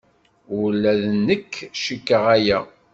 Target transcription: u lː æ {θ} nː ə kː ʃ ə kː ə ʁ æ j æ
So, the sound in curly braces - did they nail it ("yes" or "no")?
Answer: no